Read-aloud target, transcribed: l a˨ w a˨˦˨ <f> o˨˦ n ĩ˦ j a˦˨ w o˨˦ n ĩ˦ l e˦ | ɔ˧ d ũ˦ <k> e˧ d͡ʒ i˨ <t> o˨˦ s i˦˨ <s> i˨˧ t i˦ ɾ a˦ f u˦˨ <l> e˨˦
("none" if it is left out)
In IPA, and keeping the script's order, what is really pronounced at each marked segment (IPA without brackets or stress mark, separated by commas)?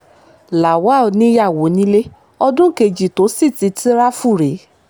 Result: none, k, t, t, ɾ